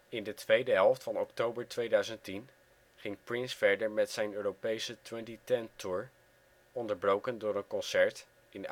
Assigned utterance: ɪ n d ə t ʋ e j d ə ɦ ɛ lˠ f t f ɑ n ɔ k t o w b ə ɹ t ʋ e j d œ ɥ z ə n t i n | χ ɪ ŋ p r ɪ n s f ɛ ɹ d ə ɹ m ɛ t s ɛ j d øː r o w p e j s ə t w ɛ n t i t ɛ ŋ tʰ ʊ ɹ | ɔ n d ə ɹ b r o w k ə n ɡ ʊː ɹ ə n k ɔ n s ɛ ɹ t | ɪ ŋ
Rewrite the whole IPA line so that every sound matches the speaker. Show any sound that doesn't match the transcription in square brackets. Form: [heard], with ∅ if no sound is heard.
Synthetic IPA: ɪ n d ə t ʋ e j d ə ɦ ɛ lˠ f t f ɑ n ɔ k t o w b ə ɹ t ʋ e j d œ ɥ z ə n t i n | χ ɪ ŋ p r ɪ n s f ɛ ɹ d ə ɹ m ɛ t s ɛ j [n] øː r o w p e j s ə t w ɛ n t i t ɛ [n] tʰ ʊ ɹ | ɔ n d ə ɹ b r o w k ə n [d] ʊː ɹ ə n k ɔ n s ɛ ɹ t | ɪ [n]